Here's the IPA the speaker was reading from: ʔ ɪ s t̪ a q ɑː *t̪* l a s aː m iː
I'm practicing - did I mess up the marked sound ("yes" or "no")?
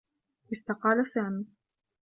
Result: yes